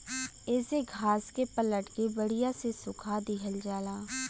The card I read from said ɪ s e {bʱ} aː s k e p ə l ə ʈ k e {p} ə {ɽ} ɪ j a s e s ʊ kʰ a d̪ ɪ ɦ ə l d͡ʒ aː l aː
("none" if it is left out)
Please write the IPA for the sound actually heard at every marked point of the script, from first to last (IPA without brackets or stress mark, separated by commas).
ɡʱ, b, ɽ